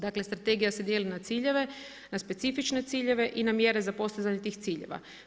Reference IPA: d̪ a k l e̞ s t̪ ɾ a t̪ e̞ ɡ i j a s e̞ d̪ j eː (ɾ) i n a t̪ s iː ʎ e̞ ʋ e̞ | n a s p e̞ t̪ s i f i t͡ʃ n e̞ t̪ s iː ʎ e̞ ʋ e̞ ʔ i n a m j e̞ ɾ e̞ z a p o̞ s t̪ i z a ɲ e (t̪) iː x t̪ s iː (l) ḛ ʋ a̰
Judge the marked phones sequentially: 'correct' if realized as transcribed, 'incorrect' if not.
incorrect: l, correct, incorrect: ʎ

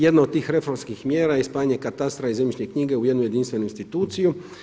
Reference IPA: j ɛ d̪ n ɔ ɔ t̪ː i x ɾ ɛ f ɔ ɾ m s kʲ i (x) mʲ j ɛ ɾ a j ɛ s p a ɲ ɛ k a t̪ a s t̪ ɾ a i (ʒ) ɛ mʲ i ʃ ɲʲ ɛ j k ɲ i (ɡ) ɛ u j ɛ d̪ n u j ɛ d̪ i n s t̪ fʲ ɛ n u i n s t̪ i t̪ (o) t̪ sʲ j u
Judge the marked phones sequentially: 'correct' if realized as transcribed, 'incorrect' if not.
correct, incorrect: z, correct, incorrect: u

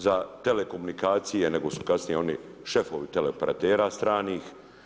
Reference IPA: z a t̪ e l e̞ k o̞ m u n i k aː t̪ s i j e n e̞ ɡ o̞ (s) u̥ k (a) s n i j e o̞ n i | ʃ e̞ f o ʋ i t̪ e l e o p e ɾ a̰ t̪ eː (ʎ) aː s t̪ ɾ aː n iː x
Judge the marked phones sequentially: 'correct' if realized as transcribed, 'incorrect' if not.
correct, correct, incorrect: ɾ

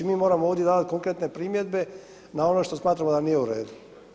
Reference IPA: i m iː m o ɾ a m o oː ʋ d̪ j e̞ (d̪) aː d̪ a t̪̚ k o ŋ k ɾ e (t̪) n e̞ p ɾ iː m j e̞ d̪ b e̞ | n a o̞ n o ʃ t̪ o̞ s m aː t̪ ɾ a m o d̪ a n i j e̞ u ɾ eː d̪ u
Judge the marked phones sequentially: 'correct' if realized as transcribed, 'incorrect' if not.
correct, correct

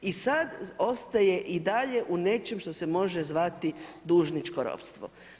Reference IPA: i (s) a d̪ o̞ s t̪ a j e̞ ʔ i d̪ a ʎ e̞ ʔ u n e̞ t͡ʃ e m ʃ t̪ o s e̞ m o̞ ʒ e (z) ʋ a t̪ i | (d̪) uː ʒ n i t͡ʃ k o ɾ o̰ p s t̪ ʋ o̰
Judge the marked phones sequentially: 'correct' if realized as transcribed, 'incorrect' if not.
correct, correct, correct

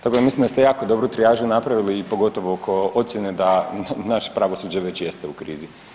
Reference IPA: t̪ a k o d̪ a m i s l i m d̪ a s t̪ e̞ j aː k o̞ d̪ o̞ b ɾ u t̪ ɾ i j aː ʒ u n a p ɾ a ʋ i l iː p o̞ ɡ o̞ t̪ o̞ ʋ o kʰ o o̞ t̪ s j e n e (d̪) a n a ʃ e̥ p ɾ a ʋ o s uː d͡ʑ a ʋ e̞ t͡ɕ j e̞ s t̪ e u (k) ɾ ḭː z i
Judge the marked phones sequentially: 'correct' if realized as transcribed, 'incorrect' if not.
correct, correct

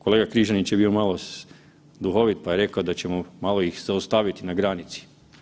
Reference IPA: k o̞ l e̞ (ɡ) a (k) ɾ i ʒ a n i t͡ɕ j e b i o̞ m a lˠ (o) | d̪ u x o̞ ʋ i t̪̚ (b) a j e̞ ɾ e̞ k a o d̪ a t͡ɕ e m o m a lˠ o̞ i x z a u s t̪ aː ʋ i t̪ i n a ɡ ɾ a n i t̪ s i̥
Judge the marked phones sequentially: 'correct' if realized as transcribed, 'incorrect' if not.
correct, correct, correct, incorrect: p

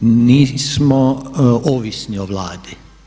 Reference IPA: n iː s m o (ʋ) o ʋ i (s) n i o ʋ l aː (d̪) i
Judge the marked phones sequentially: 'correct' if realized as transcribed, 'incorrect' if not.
incorrect: none, correct, correct

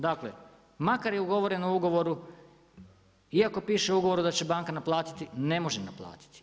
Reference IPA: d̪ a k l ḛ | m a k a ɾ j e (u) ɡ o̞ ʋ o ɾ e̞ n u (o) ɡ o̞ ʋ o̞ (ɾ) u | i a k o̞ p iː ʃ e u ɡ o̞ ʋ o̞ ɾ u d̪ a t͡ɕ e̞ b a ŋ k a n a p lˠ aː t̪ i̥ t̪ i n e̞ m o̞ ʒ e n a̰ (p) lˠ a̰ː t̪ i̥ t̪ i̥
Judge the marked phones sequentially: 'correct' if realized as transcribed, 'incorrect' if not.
correct, incorrect: u, correct, correct

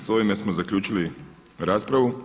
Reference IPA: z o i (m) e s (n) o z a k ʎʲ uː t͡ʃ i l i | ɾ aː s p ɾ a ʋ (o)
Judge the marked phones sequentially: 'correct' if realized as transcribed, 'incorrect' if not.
correct, incorrect: m, incorrect: u

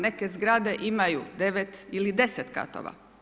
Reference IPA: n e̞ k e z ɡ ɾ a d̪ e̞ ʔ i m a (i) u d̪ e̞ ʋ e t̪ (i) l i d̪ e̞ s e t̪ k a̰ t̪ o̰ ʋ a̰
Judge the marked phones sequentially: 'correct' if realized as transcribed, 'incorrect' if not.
incorrect: j, correct

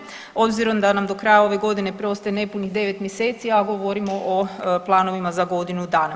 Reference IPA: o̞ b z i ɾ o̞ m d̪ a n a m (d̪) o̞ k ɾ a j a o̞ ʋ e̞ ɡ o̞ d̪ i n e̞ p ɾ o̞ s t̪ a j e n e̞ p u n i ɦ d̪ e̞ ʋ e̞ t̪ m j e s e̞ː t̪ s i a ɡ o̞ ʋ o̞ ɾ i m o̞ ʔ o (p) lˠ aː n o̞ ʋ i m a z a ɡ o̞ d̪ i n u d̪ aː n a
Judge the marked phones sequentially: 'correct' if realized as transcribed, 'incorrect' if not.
correct, correct

